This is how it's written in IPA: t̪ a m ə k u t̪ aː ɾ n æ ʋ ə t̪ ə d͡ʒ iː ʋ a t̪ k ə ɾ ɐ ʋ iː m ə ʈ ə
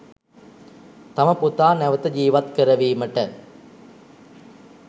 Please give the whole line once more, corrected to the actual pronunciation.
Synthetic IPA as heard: t̪ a m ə p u t̪ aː n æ ʋ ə t̪ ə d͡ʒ iː ʋ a t̪ k ə ɾ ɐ ʋ iː m ə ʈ ə